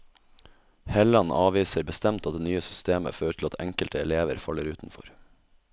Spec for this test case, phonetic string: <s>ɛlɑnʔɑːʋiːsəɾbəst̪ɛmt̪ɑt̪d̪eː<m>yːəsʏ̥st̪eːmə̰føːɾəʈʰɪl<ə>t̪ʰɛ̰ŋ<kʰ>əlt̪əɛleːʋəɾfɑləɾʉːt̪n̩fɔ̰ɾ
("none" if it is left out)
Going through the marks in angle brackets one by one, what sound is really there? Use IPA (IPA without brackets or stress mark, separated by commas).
h, n, ɑ, k